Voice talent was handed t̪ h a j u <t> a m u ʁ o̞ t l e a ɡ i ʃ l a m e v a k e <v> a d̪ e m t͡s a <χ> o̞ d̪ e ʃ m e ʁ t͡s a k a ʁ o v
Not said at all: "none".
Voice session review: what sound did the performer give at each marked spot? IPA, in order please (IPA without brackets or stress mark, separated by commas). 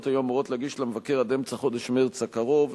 none, ʁ, χ